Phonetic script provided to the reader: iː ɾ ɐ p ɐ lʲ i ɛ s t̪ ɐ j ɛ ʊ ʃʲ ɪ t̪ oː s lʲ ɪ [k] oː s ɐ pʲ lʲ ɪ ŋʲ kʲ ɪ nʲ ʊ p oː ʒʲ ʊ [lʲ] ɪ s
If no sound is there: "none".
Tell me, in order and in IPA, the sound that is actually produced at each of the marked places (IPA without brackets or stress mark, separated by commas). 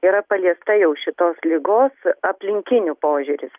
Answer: ɡ, ɾʲ